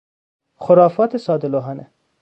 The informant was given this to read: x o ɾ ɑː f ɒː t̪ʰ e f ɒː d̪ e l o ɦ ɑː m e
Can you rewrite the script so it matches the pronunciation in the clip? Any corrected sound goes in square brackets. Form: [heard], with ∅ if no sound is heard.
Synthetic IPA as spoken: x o ɾ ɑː f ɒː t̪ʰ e [s] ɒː d̪ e l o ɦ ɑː [n] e